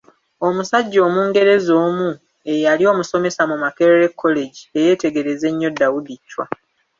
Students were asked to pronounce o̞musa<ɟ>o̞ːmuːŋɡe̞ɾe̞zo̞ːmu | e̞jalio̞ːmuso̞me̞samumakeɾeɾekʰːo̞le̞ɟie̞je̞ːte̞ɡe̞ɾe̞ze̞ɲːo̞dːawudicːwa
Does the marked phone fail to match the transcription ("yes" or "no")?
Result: yes